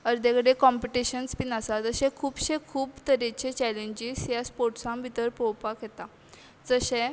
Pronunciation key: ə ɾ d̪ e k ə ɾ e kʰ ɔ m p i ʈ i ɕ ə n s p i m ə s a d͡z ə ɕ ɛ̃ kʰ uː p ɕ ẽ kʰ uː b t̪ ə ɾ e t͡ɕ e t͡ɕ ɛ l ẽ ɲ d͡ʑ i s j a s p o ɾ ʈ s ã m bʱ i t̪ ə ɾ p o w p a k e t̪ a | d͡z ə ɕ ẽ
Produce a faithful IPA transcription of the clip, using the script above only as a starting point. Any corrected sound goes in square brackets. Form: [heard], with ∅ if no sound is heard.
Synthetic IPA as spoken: ə ɾ d̪ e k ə [ɽ] e [k] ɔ m p i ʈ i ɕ ə n s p i [n] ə s a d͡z ə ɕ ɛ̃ kʰ uː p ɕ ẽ kʰ uː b t̪ ə ɾ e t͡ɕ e t͡ɕ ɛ l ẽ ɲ d͡ʑ i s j a s p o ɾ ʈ s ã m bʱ i t̪ ə ɾ p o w p a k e t̪ a | d͡z ə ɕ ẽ